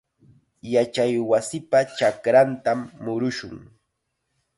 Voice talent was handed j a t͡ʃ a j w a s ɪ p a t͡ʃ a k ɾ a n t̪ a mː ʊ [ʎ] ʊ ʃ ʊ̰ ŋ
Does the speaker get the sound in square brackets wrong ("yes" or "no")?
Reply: yes